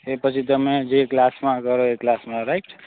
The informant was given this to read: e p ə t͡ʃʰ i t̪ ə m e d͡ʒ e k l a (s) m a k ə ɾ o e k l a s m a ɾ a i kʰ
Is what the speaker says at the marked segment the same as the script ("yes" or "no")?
yes